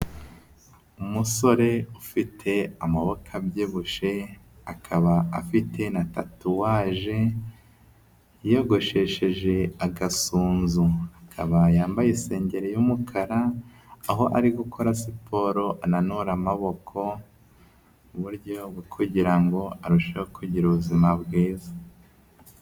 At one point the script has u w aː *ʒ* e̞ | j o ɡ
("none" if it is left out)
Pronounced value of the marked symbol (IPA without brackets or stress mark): ʒ